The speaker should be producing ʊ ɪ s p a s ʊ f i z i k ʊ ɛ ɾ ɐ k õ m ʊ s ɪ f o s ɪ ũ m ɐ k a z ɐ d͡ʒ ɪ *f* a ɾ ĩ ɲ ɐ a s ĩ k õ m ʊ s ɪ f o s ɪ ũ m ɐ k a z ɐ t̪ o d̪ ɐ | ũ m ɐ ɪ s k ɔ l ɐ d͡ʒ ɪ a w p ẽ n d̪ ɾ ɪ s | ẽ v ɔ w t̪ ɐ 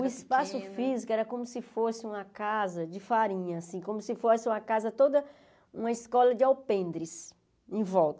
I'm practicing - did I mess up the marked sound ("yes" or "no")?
no